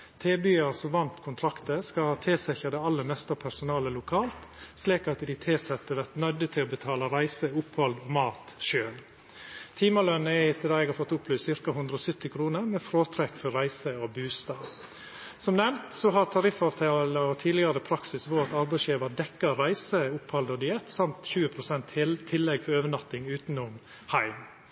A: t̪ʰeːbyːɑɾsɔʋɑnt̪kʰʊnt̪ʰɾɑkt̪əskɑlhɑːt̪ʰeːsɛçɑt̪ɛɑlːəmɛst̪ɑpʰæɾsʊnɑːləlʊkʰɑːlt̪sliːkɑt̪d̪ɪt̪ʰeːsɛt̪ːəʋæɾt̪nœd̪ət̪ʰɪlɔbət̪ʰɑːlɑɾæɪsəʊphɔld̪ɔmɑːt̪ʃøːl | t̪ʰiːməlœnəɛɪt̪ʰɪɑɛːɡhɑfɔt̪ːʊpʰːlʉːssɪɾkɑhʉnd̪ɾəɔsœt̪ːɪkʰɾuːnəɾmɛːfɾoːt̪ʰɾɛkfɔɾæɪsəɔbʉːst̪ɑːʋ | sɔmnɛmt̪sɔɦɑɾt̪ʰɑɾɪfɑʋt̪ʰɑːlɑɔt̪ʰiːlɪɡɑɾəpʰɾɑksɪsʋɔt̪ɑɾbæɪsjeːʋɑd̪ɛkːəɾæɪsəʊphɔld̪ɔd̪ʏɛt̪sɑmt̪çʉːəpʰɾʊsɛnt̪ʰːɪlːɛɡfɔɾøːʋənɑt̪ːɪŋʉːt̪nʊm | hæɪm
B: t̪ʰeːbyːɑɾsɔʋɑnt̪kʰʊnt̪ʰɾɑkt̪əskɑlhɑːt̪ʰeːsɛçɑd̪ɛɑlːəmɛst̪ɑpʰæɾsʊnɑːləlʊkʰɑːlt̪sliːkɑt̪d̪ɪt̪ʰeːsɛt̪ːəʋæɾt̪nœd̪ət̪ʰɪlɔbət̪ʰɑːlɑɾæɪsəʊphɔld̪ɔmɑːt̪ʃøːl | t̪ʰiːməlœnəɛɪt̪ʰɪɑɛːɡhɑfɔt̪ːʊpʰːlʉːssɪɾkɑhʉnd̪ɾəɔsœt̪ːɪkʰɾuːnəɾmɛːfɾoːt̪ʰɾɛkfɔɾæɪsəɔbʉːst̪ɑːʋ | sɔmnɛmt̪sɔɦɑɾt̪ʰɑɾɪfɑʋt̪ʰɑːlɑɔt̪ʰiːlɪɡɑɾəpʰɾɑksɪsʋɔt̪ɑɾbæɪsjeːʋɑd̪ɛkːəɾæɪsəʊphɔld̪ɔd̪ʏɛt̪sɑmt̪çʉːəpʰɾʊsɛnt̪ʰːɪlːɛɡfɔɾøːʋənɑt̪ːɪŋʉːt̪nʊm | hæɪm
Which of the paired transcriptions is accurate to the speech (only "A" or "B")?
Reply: B